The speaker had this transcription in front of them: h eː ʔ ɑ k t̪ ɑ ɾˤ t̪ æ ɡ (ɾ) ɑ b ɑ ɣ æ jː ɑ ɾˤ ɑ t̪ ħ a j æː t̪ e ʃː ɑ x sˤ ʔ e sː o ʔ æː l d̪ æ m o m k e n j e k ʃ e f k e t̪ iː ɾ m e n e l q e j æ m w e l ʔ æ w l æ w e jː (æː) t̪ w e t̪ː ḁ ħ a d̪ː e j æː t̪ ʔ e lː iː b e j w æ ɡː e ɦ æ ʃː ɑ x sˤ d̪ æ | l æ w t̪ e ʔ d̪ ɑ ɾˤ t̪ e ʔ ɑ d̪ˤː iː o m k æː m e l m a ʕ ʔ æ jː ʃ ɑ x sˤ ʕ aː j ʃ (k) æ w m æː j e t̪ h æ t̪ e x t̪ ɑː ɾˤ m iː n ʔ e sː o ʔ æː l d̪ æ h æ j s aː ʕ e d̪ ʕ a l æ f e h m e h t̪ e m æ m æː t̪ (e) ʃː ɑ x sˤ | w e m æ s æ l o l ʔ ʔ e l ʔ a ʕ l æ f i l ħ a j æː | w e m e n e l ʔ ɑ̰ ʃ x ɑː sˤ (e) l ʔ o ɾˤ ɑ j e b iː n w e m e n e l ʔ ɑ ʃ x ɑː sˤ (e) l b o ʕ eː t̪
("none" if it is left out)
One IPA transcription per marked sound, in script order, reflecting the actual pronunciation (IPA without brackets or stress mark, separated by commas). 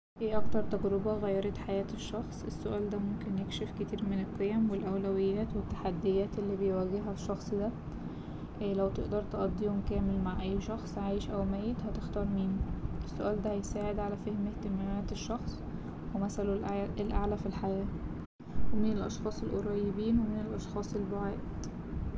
ɾ, æː, ʔ, e, e, e